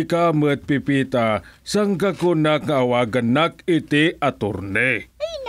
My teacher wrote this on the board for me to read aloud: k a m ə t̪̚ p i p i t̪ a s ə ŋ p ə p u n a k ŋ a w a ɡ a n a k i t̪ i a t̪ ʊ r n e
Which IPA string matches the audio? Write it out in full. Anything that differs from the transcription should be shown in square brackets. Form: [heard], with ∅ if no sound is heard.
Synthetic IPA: k a m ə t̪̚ p i p i t̪ a s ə ŋ [k] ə [k] u n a k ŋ a w a ɡ [ə] n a k i t̪ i a t̪ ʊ r n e